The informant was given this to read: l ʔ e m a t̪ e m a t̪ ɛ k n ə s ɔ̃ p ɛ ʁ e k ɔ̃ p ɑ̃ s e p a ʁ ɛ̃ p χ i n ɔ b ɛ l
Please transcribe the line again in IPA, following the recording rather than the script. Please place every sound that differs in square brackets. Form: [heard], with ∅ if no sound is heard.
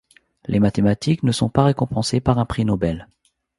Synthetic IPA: l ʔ e m a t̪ e m a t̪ [i] k n ə s ɔ̃ p [a] ʁ e k ɔ̃ p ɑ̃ s e p a ʁ ɛ̃ p χ i n ɔ b ɛ l